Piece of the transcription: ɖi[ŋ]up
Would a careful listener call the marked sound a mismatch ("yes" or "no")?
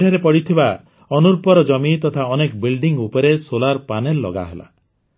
no